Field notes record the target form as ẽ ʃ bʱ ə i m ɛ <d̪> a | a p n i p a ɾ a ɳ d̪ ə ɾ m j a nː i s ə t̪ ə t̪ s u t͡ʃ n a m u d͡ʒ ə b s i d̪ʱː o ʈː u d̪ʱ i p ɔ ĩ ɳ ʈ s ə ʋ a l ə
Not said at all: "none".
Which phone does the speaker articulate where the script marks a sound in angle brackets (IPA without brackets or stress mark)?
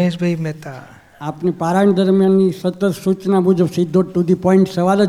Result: t̪